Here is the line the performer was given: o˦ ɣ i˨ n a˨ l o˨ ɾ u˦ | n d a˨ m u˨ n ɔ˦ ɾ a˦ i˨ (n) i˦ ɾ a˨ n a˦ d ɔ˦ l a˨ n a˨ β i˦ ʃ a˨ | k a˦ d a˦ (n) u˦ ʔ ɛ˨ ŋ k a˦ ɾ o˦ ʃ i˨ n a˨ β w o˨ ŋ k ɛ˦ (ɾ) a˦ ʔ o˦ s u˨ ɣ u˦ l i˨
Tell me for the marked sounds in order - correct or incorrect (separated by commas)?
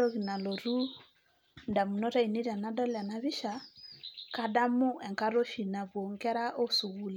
correct, incorrect, correct